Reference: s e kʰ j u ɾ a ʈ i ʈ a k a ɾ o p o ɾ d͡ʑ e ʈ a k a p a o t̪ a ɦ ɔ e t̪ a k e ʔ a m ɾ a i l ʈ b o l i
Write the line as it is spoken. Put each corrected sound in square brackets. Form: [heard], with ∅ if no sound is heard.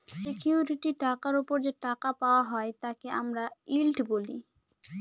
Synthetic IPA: s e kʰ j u ɾ [i] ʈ i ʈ a k a ɾ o p o ɾ d͡ʑ e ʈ a k a p a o [∅] a ɦ ɔ e t̪ a k e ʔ a m ɾ a i l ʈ b o l i